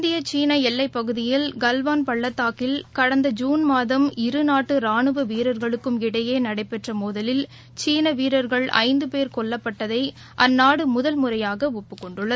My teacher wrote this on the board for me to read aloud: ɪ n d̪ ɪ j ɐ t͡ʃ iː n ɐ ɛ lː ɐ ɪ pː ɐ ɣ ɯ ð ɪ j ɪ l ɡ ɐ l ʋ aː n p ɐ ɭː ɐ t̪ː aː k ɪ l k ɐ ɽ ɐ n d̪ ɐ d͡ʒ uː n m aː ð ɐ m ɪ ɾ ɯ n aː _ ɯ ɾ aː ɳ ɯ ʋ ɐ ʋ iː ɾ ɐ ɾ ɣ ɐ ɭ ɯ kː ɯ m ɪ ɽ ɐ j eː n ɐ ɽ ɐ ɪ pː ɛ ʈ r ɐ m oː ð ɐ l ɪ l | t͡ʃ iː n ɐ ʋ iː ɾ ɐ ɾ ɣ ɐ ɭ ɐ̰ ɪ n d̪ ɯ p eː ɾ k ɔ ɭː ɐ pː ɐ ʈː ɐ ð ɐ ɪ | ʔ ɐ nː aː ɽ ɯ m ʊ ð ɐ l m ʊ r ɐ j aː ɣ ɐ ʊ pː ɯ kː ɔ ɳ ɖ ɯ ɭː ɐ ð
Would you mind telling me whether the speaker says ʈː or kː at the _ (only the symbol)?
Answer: ʈː